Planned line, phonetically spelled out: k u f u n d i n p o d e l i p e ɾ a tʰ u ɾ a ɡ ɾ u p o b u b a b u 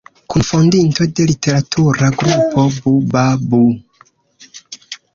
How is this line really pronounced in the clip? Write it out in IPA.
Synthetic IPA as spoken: k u f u n d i n t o d e l i t e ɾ a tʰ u ɾ a ɡ ɾ u p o b u b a b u